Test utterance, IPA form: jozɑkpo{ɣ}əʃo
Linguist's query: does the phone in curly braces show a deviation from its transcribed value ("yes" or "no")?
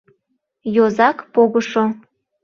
no